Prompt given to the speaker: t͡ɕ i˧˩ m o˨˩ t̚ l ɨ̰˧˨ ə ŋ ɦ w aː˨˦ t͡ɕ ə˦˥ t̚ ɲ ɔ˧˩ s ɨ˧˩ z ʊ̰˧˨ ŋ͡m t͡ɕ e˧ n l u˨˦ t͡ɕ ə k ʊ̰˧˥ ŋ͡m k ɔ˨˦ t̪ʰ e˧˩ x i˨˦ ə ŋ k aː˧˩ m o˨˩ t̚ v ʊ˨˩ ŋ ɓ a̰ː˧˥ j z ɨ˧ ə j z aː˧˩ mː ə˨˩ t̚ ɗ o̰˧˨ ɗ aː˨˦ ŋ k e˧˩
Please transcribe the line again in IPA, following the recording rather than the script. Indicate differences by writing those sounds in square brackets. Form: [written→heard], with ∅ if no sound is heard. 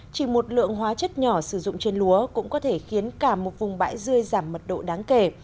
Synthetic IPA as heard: t͡ɕ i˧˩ m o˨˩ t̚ l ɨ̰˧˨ ə ŋ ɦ w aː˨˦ t͡ɕ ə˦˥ t̚ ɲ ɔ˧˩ s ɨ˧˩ z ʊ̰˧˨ ŋ͡m t͡ɕ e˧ n l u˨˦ [t͡ɕ→∅] ə k ʊ̰˧˥ ŋ͡m k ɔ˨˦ t̪ʰ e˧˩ x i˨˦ ə [ŋ→n] k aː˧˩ m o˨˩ t̚ v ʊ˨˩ [ŋ→ŋ͡m] ɓ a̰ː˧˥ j z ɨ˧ ə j z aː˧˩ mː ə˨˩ t̚ ɗ o̰˧˨ ɗ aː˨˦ ŋ k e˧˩